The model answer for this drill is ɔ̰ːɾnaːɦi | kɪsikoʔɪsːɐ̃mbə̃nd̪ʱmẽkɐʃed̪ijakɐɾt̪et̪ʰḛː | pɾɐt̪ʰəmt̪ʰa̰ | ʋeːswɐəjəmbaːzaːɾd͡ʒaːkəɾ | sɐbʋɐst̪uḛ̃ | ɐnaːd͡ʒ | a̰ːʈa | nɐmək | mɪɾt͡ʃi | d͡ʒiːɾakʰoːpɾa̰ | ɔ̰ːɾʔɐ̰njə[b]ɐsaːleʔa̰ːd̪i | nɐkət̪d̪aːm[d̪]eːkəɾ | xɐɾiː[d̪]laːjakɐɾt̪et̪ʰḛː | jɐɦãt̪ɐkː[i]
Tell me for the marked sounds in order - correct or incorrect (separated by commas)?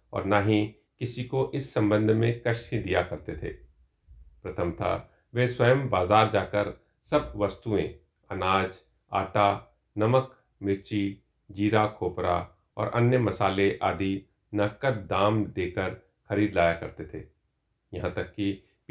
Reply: incorrect, correct, correct, correct